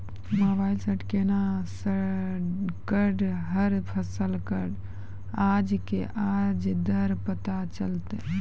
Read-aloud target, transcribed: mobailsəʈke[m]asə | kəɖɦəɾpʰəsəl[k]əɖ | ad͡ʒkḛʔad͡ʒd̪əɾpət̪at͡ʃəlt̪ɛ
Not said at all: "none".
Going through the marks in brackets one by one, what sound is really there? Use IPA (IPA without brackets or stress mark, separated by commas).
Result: n, k